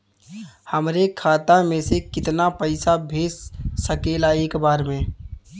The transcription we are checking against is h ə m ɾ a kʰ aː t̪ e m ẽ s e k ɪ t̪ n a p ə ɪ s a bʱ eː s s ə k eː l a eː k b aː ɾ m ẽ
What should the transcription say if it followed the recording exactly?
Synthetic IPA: h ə m ɾ e kʰ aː t̪ a m ẽ s e k ɪ t̪ n a p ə ɪ s a bʱ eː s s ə k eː l a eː k b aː ɾ m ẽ